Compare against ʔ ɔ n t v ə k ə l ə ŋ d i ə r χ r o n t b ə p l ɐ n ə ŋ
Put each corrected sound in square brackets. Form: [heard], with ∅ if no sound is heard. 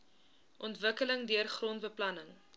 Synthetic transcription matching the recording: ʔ ɔ n t v ə k ə l ə ŋ d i ə r χ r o n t b ə p l ɐ n ə ŋ